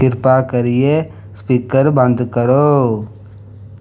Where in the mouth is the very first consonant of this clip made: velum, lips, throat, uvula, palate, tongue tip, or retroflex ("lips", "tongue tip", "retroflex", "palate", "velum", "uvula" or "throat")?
tongue tip